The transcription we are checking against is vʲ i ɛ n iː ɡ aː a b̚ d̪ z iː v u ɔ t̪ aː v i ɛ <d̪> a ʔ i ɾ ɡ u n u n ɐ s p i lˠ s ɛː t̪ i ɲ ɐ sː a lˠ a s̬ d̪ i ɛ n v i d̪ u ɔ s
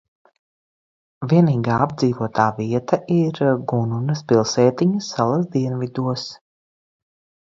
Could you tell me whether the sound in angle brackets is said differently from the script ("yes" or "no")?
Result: yes